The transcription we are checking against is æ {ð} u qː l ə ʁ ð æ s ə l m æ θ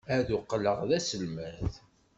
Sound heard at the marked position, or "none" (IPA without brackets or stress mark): ð